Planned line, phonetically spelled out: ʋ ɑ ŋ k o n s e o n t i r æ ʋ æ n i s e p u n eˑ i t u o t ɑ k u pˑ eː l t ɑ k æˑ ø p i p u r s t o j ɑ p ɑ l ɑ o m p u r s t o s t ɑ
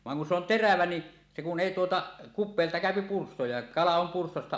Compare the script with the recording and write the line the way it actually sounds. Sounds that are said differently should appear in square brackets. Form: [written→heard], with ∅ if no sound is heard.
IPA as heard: ʋ ɑ ŋ k [o→u] n s e o n t [i→e] r æ ʋ æ n i s e [p→k] u n eˑ i t u o t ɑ k u pˑ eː l t ɑ k æˑ ø p i p u r s t o j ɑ [p→k] ɑ l ɑ o m p u r s t o s t ɑ